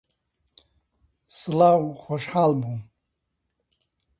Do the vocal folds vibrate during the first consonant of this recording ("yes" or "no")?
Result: no